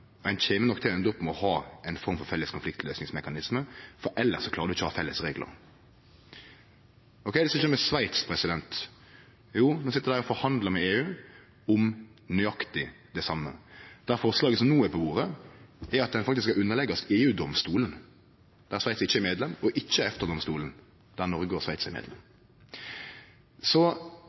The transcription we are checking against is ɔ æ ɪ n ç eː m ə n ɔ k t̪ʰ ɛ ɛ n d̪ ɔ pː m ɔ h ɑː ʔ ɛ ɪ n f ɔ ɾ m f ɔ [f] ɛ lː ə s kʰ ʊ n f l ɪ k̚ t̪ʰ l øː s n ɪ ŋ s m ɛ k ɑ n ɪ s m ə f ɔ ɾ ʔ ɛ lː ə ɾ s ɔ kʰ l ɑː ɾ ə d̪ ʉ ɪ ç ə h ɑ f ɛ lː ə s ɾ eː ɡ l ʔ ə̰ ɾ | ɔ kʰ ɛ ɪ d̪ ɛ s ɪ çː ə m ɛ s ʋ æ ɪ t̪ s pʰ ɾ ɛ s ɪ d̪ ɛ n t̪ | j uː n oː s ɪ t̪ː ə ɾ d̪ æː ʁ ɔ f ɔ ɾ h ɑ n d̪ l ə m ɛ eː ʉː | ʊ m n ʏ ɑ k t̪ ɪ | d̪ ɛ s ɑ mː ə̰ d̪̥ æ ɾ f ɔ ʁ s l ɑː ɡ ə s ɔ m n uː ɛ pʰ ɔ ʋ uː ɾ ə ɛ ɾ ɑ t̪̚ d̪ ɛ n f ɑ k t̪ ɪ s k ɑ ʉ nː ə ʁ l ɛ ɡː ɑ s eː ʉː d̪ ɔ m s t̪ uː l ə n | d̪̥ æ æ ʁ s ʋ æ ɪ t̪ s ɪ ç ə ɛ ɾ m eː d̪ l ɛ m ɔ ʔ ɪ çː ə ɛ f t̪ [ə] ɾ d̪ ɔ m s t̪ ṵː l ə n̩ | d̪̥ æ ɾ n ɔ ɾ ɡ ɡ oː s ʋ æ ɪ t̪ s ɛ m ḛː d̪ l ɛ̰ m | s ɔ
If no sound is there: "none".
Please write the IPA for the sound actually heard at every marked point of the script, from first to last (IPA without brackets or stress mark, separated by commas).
f, ə